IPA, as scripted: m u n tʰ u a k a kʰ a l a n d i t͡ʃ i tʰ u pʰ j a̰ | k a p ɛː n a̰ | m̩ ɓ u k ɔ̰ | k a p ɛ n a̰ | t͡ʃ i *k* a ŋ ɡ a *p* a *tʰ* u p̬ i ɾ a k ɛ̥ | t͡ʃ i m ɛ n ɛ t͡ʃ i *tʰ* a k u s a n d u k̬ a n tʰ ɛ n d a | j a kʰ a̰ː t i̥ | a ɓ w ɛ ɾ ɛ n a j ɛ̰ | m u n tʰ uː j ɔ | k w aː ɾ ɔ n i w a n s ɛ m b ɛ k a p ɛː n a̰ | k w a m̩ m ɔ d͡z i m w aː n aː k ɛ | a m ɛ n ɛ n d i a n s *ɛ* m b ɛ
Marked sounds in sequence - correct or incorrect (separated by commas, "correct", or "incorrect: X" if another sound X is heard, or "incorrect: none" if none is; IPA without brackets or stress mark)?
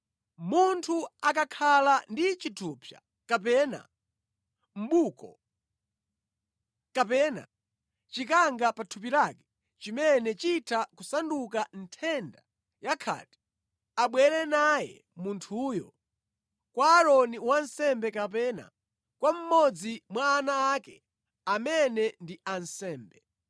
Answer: correct, correct, correct, correct, incorrect: ɛː